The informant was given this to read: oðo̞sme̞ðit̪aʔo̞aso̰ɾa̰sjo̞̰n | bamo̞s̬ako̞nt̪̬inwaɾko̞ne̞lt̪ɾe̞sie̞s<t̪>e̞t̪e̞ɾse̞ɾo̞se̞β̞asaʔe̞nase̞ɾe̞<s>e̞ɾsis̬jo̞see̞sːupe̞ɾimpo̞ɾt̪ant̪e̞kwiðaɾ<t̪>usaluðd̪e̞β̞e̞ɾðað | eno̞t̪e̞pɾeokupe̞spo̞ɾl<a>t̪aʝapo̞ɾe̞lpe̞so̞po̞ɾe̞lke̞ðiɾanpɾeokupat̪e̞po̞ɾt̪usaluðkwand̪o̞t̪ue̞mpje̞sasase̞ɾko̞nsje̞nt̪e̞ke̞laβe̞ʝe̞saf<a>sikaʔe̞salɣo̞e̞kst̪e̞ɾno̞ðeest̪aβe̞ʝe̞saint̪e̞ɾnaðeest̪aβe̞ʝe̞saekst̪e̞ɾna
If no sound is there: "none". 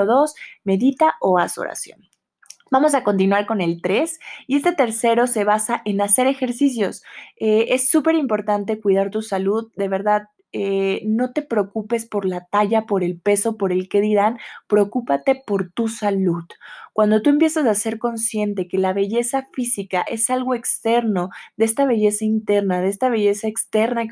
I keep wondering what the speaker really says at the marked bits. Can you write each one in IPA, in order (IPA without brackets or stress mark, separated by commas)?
t̪, x, t̪, a, i